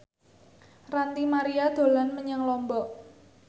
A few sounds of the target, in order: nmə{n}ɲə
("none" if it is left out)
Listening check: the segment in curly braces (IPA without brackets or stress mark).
none